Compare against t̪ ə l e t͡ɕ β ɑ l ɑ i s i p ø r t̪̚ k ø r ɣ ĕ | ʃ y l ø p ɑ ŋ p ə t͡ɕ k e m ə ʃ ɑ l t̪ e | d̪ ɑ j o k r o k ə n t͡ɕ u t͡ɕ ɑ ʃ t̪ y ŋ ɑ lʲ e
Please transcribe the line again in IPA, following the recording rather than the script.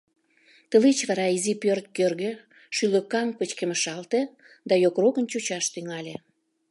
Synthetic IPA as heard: t̪ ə l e t͡ɕ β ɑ ɾ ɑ i z i p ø r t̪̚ k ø r ɣ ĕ | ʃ y l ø k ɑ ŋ p ə t͡ɕ k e m ə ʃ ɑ l t̪ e | d̪ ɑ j o k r o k ə n t͡ɕ u t͡ɕ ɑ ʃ t̪ y ŋ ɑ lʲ e